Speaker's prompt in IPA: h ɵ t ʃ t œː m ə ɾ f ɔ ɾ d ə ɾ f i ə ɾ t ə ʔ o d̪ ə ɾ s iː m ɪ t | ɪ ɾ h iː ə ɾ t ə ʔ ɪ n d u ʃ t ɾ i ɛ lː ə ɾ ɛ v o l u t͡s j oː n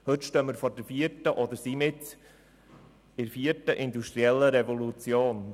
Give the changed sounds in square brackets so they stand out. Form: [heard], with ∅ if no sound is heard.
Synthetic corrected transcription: h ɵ t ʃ t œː m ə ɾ f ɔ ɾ d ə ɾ f i ə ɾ t ə ʔ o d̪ ə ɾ s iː m ɪ t | ɪ ɾ [f] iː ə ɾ t ə ʔ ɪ n d u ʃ t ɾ i ɛ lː ə ɾ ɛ v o l u t͡s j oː n